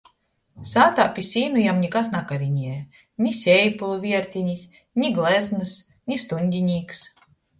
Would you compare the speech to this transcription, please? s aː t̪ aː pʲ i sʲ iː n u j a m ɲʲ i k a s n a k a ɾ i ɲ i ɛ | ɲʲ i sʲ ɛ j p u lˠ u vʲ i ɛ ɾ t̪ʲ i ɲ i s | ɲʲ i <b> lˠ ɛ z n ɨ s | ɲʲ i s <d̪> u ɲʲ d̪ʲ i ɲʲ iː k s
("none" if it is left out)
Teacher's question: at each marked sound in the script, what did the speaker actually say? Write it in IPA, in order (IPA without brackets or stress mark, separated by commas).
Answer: ɡ, t̪